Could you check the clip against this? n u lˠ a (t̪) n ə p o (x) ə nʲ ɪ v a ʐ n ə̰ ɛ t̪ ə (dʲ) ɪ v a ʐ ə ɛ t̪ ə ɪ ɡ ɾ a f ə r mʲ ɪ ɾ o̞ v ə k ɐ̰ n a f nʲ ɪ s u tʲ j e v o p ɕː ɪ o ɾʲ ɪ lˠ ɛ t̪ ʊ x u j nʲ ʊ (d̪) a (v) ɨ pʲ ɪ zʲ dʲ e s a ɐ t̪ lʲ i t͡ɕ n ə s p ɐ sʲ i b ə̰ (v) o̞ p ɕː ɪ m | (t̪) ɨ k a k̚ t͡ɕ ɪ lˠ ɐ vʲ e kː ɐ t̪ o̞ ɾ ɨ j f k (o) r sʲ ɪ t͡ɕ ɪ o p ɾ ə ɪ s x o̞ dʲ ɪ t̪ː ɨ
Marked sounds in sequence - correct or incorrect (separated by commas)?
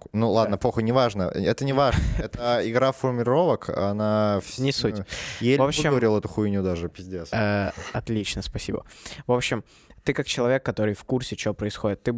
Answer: incorrect, correct, incorrect, correct, incorrect, correct, correct, incorrect